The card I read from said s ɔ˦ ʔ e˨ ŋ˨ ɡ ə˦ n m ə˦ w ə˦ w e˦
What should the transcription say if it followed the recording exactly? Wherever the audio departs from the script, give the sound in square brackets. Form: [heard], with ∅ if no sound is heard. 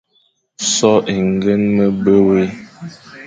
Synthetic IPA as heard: s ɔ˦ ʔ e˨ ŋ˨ ɡ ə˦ n m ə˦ [b] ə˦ w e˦